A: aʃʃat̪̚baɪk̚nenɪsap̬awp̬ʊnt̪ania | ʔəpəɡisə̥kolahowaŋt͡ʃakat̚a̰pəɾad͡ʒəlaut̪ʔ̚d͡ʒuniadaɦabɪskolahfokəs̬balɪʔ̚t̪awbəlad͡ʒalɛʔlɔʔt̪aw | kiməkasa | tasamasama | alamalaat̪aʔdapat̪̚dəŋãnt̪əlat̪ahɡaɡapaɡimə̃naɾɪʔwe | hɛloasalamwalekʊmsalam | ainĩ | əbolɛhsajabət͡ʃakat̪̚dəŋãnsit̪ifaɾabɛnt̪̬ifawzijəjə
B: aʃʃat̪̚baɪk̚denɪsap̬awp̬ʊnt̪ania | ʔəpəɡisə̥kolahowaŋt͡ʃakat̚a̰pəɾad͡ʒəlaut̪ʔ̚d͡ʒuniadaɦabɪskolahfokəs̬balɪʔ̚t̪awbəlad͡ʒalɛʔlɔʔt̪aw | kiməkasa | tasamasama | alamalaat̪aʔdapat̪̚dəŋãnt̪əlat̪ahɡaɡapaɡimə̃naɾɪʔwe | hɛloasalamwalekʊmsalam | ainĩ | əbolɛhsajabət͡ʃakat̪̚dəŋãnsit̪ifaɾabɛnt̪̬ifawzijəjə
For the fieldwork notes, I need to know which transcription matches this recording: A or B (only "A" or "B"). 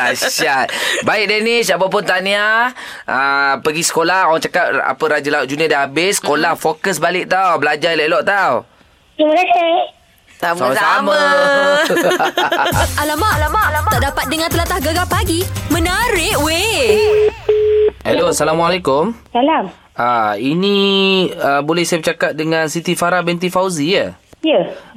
B